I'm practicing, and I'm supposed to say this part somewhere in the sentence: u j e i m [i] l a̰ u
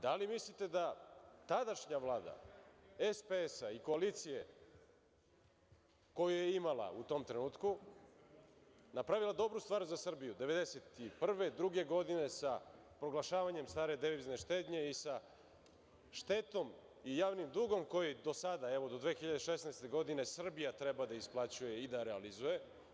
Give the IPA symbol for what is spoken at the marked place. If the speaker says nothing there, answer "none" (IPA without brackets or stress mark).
a